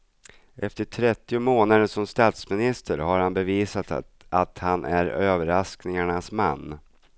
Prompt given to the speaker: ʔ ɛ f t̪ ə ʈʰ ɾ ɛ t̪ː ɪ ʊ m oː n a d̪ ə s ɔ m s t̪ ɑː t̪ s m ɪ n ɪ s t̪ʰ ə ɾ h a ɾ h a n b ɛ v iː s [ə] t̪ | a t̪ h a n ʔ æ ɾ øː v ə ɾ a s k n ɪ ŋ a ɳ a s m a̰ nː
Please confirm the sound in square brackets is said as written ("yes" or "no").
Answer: no